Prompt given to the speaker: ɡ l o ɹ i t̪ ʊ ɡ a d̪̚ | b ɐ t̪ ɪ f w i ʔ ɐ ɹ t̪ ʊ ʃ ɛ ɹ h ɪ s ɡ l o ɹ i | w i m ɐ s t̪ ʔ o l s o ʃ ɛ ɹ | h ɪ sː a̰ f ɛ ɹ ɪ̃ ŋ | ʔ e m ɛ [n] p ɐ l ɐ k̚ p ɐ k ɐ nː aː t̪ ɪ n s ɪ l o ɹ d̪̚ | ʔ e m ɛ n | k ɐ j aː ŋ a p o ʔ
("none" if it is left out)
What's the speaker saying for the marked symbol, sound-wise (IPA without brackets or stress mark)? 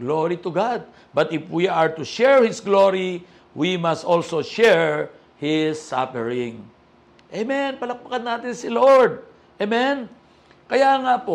n